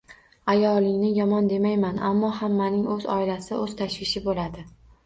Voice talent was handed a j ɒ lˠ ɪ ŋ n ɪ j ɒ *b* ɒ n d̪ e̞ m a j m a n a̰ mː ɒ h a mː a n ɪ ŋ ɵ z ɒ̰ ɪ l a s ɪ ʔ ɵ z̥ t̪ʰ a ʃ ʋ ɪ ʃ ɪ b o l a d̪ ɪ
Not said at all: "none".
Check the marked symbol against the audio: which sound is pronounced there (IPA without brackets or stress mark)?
m